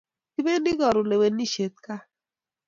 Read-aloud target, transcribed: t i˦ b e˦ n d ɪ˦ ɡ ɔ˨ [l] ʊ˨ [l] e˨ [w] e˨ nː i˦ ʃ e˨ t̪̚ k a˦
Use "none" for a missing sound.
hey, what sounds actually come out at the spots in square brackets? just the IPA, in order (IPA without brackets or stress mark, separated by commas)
ɾ, l, w